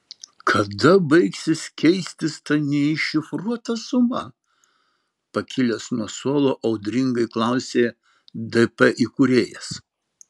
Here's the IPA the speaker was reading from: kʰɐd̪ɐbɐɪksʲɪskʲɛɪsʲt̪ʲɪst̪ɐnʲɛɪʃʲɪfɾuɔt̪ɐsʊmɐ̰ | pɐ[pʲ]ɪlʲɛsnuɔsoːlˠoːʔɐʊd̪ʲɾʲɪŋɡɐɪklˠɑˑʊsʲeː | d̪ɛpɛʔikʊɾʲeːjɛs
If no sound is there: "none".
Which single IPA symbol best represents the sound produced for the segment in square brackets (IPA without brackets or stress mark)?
kʲ